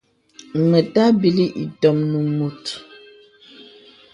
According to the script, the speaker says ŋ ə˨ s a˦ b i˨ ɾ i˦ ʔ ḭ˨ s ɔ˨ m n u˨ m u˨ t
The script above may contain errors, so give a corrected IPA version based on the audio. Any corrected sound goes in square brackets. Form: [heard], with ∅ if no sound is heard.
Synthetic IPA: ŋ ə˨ [t] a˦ b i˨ [l] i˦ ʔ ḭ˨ [t] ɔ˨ m n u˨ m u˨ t